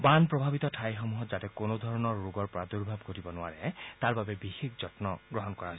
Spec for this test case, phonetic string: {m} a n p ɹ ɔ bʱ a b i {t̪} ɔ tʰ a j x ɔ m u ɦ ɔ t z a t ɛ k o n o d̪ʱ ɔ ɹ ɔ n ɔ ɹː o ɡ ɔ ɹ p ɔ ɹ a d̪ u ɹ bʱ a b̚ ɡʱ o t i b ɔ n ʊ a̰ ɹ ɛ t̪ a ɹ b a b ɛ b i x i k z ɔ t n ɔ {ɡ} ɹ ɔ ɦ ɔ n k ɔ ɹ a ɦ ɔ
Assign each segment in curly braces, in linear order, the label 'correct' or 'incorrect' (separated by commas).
incorrect, correct, correct